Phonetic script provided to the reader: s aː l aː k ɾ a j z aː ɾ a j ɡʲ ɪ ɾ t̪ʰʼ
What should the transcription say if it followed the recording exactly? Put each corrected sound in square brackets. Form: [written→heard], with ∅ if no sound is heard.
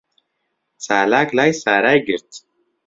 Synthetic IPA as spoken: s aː l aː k [ɾ→l] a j [z→s] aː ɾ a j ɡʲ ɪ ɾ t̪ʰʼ

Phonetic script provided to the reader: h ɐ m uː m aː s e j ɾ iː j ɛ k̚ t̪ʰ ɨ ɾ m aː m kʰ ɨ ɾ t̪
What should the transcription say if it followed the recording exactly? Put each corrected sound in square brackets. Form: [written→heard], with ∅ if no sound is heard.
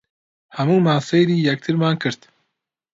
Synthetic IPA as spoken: h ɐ m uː m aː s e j ɾ iː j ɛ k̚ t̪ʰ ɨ ɾ m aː [m→n] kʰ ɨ ɾ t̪

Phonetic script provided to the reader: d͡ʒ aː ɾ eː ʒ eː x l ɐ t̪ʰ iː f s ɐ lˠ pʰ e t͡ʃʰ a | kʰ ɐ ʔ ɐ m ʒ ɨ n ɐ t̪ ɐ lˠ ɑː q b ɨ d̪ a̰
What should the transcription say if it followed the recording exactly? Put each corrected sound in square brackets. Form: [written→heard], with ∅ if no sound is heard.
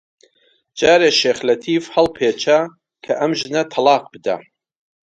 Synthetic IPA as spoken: d͡ʒ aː ɾ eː [ʒ→ʃ] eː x l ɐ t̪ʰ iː f [s→h] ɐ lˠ pʰ e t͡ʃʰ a | kʰ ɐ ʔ ɐ m ʒ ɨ n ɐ [t̪→t̪ʰ] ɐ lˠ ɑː q b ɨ d̪ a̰

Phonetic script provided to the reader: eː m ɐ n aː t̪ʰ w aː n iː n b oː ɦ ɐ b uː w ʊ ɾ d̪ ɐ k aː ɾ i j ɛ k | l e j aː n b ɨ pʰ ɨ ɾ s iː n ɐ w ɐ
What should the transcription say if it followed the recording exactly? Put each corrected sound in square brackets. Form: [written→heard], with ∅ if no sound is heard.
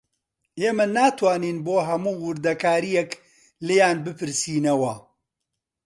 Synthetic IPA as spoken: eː m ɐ n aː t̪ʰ w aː n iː n b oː ɦ ɐ [b→m] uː w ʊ ɾ d̪ ɐ k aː ɾ i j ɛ k | l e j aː n b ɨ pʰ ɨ ɾ s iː n ɐ w ɐ

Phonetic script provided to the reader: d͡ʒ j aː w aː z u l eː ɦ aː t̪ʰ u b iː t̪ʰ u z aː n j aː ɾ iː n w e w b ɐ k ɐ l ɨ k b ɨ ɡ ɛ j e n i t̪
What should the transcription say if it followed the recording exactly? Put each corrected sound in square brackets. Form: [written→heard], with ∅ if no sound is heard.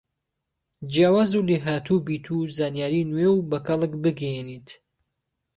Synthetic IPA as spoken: d͡ʒ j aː w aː z u l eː ɦ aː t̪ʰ u b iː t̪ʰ u z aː n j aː ɾ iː n w e w b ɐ k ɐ l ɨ k b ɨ ɡ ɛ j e n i t̪

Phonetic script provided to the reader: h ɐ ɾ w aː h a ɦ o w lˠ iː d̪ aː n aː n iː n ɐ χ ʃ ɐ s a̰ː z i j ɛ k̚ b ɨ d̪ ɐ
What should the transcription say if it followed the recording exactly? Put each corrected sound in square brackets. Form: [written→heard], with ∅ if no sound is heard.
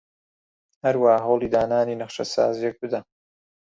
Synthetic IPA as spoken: h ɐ ɾ w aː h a ɦ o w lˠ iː d̪ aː n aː n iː n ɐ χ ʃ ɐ s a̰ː z i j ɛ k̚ b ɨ d̪ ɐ

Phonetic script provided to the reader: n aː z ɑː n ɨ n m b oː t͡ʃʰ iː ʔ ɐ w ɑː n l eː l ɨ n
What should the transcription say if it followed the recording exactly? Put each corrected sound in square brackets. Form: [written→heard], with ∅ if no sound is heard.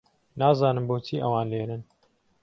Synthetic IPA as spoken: n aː z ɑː n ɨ [n→∅] m b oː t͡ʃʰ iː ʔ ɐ w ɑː n l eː [l→ɾ] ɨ n

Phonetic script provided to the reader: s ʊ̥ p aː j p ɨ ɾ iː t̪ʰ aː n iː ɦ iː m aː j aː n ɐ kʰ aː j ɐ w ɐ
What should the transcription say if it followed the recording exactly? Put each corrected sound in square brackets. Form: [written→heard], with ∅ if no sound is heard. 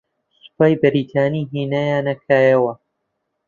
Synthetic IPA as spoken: s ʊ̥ p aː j [p→b] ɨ ɾ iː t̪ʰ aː n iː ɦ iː [m→n] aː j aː n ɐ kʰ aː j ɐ w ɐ

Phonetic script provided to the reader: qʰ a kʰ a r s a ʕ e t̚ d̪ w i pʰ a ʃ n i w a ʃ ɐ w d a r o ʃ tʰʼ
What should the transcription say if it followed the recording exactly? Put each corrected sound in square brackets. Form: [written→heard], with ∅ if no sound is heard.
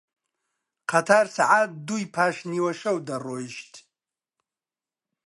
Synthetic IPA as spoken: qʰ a [kʰ→tʰ] a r s a ʕ [e→a] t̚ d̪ [w→u] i pʰ a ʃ n i w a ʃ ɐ w d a r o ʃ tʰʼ

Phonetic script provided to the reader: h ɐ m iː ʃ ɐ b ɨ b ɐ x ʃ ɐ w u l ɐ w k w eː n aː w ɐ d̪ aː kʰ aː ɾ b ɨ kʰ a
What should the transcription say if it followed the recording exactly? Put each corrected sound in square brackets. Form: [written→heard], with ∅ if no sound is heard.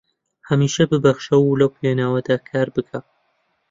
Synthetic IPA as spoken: h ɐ m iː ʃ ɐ b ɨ b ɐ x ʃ ɐ w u l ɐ w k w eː n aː w ɐ d̪ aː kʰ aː ɾ b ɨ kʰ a

